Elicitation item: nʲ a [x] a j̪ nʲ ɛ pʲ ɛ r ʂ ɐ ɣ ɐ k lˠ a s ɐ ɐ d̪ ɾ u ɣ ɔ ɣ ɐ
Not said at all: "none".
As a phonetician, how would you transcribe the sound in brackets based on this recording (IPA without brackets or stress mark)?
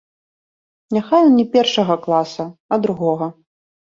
x